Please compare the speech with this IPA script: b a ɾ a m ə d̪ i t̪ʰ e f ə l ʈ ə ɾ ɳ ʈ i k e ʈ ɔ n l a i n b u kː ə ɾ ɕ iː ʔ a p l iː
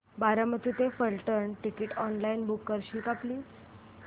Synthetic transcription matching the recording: b a ɾ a m ə t̪ i t̪ e f ə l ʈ ə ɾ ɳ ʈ i k i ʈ ɔ n l a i n b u kː ə ɾ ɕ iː k a p l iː